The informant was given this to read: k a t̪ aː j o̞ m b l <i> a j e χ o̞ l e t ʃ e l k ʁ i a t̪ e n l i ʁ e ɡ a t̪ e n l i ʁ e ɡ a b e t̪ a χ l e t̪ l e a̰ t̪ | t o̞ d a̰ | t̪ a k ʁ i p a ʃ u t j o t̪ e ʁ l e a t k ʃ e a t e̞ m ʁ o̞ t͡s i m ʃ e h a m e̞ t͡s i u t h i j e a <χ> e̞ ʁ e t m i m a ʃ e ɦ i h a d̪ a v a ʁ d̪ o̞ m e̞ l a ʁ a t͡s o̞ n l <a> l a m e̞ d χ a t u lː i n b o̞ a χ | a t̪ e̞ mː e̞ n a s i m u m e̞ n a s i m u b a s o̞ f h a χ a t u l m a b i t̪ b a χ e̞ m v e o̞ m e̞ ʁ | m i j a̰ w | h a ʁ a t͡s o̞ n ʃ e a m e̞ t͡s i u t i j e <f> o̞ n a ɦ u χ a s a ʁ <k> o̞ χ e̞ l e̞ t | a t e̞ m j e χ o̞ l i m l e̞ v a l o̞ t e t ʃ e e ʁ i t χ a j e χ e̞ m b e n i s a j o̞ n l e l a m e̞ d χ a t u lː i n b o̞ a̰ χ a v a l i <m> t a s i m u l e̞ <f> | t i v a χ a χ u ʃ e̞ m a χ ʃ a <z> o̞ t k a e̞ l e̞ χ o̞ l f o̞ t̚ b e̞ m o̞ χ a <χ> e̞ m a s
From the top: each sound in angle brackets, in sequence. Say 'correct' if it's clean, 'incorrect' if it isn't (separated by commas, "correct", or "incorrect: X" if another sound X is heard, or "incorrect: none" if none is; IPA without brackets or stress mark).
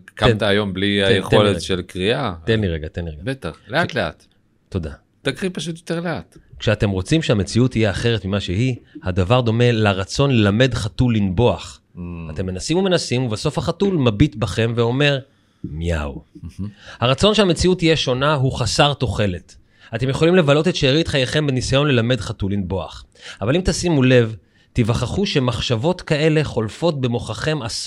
correct, correct, incorrect: e, incorrect: ʃ, incorrect: t, correct, incorrect: v, incorrect: v, correct